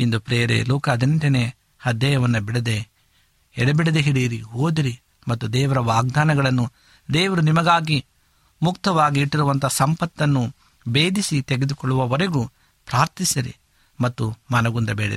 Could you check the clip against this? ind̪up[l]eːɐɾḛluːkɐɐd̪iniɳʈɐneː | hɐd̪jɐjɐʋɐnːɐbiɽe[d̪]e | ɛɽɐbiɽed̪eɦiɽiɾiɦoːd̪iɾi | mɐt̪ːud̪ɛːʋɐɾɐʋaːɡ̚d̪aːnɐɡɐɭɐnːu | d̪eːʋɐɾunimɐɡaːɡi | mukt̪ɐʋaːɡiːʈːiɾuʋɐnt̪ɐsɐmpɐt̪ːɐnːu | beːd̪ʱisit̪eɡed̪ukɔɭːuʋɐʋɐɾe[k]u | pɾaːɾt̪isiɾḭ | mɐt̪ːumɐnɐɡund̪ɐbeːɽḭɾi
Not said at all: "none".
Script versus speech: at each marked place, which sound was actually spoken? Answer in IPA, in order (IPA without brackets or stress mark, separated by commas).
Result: ɾ, d̪, ɡ